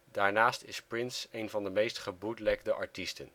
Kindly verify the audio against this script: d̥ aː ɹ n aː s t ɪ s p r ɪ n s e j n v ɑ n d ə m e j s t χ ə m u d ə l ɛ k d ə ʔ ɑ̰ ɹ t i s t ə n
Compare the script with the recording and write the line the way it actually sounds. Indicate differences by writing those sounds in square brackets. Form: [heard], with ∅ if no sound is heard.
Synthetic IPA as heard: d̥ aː ɹ n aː s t ɪ s p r ɪ n s e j n v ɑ n d ə m e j s t χ ə [b] u d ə l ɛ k d ə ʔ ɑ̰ ɹ t i s t ə n

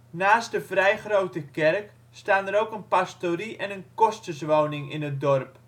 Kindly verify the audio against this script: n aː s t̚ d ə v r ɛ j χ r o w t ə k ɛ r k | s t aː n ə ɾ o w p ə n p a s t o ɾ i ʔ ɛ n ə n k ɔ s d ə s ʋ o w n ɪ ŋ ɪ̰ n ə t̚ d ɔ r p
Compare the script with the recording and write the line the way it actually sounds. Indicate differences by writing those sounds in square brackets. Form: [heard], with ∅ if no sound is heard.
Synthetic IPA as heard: n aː s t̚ d ə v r ɛ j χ r o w t ə k ɛ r k | s t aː n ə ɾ o w [k] ə n p a s t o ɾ i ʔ ɛ n ə n k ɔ s [t] ə s ʋ o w n ɪ ŋ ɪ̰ n ə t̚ d ɔ r p

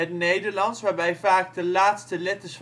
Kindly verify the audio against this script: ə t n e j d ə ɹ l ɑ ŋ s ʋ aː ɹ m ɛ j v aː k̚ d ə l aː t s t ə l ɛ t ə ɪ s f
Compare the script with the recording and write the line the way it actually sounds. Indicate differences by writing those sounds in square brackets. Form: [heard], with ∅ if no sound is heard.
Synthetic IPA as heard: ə t n e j d ə ɹ l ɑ [n] s ʋ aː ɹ [b] ɛ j v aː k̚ d ə l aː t s t ə l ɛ t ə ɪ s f

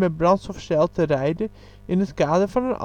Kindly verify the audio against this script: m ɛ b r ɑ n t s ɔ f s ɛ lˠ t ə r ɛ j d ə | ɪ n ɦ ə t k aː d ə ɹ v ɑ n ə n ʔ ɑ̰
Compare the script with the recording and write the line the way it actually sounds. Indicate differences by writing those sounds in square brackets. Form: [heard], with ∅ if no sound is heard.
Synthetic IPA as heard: m ɛ b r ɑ n t s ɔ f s ɛ lˠ t ə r ɛ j d ə | ɪ n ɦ ə t k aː d ə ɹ v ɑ n ə n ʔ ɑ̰

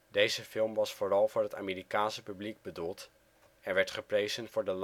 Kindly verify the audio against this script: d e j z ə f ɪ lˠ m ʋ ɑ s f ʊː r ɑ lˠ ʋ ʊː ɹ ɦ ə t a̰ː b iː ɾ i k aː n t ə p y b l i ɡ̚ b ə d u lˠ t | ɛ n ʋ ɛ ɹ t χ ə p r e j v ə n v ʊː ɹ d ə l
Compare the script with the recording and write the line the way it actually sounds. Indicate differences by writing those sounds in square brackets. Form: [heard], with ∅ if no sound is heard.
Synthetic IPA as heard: d e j z ə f ɪ lˠ m ʋ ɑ s f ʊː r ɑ lˠ [v] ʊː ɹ ɦ ə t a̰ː [m] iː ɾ i k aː n [s] ə p y b l i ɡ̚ b ə d u lˠ t | ɛ n ʋ ɛ ɹ t χ ə p r e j [z] ə n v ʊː ɹ d ə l

